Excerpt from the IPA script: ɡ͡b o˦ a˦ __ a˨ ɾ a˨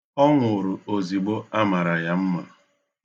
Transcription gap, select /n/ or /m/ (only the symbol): m